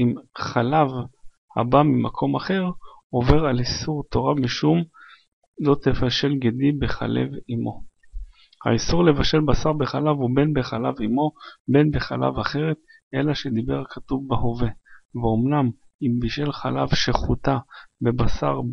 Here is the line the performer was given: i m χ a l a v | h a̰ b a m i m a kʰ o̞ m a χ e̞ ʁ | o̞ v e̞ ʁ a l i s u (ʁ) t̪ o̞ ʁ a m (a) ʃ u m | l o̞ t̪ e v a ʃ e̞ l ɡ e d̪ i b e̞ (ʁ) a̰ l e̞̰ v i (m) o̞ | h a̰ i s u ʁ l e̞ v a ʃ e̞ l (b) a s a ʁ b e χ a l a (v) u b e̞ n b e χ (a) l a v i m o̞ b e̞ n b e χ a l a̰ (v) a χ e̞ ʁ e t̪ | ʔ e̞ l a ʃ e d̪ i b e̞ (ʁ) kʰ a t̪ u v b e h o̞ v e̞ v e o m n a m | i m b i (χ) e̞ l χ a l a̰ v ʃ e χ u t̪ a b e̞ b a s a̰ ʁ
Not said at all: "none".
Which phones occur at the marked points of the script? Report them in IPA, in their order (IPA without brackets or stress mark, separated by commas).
ʁ, i, χ, m, b, v, a, v, ʁ, ʃ